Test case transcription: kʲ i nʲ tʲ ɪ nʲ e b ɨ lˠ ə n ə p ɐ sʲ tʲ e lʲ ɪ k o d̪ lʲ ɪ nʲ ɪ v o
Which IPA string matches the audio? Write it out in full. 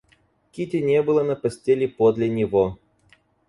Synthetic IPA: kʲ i tʲ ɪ nʲ e b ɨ lˠ ə n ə p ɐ sʲ tʲ e lʲ ɪ p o d̪ lʲ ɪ nʲ ɪ v o